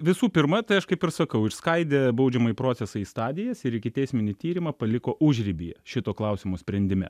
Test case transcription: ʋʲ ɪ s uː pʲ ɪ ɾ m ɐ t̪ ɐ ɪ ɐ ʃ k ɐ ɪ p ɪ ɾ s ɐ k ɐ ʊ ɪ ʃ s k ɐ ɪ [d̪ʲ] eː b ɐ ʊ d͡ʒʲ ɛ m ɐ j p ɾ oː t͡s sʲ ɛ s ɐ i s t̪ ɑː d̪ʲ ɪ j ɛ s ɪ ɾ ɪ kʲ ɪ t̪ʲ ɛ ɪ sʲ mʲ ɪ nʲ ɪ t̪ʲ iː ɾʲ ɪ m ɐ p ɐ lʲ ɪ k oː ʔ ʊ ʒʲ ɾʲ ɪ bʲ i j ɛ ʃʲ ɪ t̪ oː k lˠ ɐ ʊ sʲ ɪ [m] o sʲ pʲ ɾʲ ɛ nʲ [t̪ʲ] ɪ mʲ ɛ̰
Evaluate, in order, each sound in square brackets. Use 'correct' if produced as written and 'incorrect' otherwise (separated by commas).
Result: correct, correct, incorrect